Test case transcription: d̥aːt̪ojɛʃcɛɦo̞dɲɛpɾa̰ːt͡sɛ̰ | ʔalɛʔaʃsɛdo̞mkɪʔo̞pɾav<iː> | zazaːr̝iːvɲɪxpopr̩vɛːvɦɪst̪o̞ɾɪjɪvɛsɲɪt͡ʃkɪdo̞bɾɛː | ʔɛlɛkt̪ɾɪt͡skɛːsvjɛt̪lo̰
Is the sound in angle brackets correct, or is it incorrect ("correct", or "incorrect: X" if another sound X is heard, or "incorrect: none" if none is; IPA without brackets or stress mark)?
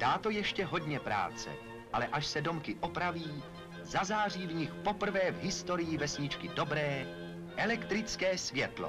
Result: correct